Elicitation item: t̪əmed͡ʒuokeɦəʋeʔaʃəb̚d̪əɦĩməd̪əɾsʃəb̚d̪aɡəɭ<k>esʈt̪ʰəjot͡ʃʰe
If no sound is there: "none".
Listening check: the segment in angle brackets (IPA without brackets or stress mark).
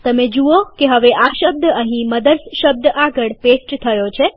p